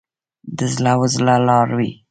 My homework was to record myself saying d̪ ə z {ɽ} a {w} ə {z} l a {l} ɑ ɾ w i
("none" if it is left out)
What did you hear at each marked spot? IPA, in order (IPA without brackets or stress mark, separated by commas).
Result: l, w, z, l